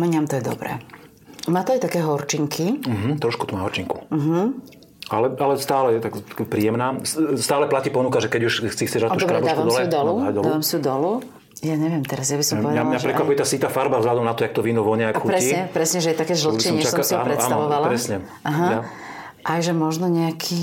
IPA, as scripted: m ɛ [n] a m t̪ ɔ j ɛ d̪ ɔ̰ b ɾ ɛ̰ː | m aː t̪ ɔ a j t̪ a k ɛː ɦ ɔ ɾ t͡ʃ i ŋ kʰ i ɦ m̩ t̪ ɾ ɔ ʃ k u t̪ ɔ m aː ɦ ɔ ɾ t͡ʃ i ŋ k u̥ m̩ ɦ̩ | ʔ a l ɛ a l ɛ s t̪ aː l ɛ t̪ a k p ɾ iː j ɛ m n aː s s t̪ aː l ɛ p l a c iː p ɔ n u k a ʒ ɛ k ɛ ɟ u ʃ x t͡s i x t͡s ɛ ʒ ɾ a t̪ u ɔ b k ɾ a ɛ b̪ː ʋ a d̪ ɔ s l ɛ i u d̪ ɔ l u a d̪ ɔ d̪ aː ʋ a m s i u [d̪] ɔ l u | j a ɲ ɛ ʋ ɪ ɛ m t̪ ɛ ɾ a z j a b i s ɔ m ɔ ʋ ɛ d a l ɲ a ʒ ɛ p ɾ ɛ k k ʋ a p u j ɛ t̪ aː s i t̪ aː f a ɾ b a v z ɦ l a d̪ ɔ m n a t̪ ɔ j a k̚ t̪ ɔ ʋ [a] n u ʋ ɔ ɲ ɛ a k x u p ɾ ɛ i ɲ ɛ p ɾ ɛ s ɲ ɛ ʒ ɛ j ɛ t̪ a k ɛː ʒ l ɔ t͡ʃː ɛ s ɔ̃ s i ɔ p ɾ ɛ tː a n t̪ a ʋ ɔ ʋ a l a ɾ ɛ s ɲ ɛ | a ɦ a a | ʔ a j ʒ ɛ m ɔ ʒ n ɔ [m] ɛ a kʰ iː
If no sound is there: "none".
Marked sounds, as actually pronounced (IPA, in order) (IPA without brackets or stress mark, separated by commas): ɲ, d̪, i, ɲ